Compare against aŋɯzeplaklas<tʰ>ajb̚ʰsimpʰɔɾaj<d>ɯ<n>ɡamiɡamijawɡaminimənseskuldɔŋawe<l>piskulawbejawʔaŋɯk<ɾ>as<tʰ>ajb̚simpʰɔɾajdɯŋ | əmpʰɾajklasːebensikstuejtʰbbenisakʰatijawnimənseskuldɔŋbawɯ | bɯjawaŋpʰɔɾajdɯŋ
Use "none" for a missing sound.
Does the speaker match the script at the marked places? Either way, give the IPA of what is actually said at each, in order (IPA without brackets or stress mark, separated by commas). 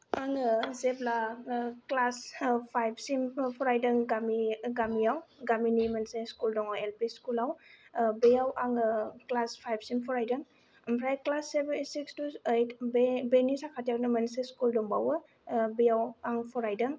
pʰ, d, ŋ, l, l, pʰ